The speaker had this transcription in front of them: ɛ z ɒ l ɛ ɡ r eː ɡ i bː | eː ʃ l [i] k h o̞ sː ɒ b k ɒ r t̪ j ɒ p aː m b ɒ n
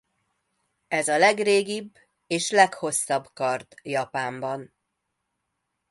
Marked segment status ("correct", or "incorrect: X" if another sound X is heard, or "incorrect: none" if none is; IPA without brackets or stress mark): incorrect: ɛ